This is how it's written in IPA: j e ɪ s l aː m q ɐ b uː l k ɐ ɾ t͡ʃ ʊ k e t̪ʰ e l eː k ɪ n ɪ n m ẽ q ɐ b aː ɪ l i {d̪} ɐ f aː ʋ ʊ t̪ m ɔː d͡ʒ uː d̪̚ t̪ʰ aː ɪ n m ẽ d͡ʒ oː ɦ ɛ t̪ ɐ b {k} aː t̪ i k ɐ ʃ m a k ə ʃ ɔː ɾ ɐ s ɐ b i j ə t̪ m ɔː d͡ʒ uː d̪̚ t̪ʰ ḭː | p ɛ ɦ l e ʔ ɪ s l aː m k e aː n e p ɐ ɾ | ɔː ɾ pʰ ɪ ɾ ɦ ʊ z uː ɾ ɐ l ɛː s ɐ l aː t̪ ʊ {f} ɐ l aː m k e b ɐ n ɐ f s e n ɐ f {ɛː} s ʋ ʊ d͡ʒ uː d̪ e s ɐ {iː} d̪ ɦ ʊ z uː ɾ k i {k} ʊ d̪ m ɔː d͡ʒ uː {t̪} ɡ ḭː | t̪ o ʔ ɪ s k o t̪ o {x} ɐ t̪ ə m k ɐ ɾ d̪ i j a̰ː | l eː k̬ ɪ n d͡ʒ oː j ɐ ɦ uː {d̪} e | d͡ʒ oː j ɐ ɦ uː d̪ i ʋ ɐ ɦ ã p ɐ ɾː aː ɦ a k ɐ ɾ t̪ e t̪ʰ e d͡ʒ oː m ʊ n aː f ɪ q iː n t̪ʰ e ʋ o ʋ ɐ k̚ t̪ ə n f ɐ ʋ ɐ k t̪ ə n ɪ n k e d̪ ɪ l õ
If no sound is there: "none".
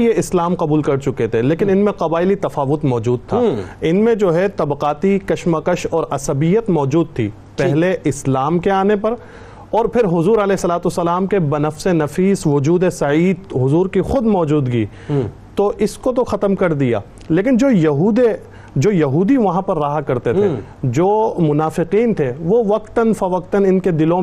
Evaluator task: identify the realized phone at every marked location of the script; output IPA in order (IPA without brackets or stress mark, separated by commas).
t̪, q, s, iː, iː, x, d̪, x, d̪